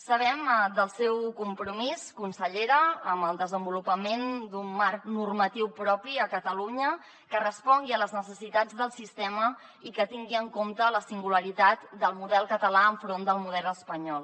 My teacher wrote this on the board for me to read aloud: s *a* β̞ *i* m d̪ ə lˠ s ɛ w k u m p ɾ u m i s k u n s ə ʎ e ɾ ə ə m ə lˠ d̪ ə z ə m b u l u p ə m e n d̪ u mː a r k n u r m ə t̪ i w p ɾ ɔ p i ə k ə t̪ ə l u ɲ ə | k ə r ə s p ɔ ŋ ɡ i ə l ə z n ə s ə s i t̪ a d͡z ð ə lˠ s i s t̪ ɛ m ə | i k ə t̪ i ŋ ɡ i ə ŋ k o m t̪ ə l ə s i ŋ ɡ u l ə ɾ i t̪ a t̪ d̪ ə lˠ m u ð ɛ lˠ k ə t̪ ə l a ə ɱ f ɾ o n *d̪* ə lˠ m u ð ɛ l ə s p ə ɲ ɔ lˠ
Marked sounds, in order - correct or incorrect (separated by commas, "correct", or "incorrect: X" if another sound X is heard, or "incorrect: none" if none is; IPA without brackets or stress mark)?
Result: incorrect: ə, incorrect: ɛ, correct